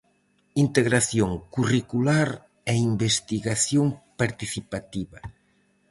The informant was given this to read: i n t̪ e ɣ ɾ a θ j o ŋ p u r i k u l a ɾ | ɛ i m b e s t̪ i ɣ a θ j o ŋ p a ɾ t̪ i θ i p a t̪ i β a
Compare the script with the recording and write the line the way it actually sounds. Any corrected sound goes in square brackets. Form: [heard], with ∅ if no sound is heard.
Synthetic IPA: i n t̪ e ɣ ɾ a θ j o ŋ [k] u r i k u l a ɾ | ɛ i m b e s t̪ i ɣ a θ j o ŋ p a ɾ t̪ i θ i p a t̪ i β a

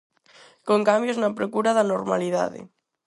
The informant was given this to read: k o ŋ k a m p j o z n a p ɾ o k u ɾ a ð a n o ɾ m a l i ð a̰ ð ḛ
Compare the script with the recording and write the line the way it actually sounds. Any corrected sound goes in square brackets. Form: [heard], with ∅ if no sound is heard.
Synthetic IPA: k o ŋ k a m [b] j o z n a p ɾ o k u ɾ a ð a n o ɾ m a l i ð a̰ ð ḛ

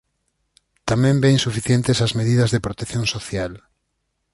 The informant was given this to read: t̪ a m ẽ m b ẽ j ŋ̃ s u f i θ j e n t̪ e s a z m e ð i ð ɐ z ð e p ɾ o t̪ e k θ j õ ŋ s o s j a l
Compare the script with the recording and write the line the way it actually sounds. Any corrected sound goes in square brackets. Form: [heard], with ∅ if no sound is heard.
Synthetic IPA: t̪ a m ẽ m b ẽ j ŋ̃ s u f i θ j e n t̪ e s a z m e ð i ð ɐ z ð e p ɾ o t̪ e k θ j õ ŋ s o [θ] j a l

